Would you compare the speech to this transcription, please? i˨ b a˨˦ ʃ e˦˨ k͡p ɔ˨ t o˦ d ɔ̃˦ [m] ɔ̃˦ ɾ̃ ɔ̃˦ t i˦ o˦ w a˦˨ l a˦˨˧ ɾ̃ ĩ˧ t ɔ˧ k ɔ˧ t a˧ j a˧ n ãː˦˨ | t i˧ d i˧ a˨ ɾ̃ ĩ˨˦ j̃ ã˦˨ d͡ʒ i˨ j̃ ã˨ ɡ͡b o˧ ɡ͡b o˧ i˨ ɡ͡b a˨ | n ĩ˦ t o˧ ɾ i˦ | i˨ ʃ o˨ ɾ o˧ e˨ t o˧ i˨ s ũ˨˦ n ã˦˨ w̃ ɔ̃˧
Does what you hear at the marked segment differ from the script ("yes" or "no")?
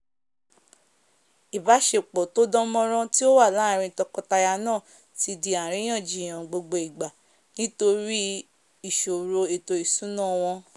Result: no